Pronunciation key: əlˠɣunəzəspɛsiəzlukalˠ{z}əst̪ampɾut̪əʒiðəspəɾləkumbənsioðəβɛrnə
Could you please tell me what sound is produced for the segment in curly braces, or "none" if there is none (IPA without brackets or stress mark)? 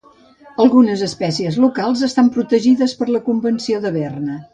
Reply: z